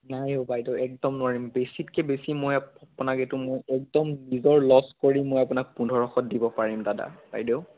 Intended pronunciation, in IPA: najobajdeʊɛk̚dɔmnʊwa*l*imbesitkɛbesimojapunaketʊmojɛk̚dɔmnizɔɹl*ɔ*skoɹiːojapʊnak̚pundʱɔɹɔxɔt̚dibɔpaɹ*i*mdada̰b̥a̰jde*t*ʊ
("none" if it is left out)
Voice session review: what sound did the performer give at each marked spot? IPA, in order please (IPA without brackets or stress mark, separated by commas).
ɹ, ɔ, i, none